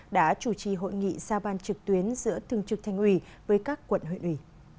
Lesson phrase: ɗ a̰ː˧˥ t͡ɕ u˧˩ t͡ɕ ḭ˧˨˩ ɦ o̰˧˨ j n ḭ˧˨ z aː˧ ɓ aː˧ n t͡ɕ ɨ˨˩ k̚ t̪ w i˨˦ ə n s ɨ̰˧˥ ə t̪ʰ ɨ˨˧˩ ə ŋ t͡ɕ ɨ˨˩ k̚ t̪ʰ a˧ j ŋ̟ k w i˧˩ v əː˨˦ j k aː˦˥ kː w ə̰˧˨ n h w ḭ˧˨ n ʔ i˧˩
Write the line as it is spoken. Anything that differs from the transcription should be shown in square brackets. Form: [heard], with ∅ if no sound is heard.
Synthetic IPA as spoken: ɗ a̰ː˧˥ t͡ɕ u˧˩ t͡ɕ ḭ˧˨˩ ɦ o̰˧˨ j [ŋ] ḭ˧˨ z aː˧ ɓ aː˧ n t͡ɕ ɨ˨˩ k̚ t̪ w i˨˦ ə n [z] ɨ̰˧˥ ə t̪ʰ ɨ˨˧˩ ə ŋ t͡ɕ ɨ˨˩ k̚ t̪ʰ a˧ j ŋ̟ [ʔ] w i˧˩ v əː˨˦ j k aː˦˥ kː w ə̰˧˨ n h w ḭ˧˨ n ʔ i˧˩